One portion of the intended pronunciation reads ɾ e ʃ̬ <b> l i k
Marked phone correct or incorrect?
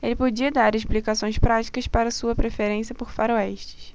incorrect: p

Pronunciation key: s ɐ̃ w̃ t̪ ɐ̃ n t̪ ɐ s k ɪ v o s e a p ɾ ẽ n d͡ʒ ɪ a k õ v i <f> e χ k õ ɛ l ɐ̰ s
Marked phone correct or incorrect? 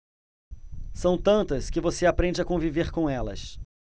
incorrect: v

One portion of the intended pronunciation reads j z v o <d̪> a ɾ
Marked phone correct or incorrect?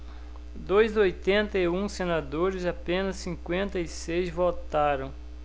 incorrect: t̪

